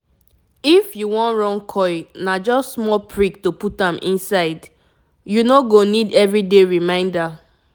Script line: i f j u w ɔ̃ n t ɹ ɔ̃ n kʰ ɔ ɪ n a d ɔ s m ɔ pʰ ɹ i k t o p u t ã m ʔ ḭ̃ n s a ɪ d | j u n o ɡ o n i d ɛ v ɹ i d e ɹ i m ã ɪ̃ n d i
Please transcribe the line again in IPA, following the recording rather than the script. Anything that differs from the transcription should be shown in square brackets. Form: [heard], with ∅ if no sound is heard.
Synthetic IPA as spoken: i f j u w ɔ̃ n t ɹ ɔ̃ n kʰ ɔ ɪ n a [d͡ʒ] ɔ s m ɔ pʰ ɹ i k t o p u t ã m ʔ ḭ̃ n s a ɪ d | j u n o ɡ o n i d ɛ v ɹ i d e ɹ i m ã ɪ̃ n d [a]